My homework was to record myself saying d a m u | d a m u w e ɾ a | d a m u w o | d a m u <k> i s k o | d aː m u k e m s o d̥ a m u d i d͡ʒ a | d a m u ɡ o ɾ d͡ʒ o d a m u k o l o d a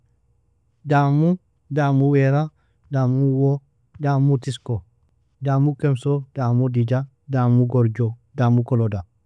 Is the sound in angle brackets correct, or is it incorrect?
incorrect